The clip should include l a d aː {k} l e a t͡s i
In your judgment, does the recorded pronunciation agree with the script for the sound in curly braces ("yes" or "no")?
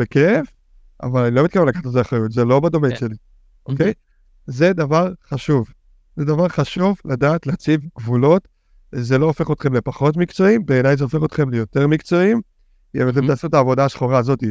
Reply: no